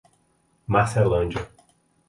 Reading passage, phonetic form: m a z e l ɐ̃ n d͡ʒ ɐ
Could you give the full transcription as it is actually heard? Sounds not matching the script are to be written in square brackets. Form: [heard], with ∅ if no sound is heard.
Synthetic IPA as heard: m a [s] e l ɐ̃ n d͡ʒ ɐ